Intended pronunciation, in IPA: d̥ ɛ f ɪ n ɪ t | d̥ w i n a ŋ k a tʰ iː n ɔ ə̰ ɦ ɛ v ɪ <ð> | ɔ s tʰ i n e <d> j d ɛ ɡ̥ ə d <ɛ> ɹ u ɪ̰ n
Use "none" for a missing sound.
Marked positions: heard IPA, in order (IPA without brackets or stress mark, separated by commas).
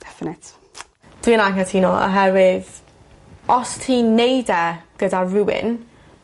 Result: ð, none, a